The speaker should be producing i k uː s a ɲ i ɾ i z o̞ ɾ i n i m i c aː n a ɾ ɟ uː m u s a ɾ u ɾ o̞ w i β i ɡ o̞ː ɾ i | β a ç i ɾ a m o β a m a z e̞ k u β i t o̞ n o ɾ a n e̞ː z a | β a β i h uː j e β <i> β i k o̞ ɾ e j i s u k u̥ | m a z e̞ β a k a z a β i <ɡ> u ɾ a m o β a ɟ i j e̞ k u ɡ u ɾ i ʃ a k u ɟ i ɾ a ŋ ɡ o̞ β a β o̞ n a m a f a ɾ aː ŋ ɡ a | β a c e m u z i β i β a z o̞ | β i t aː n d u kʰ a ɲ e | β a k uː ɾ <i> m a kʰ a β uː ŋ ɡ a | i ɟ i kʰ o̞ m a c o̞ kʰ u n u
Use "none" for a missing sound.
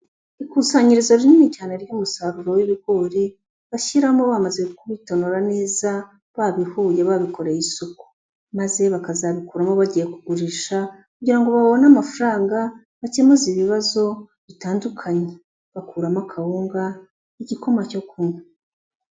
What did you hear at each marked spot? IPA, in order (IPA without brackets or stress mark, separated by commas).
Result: a, k, a